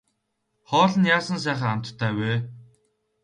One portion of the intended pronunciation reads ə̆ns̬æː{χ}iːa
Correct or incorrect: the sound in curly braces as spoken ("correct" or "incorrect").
correct